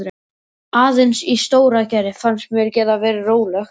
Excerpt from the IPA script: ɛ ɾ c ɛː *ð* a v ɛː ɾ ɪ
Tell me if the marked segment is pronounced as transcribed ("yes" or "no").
yes